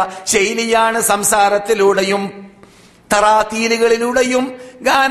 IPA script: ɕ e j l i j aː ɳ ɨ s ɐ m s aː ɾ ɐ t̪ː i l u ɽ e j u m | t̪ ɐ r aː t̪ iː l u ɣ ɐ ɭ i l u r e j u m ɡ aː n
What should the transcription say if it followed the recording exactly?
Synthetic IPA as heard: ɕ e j l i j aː ɳ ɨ s ɐ m s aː ɾ ɐ t̪ː i l u ɽ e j u m | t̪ ɐ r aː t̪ iː l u ɣ ɐ ɭ i l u ɽ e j u m ɡ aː n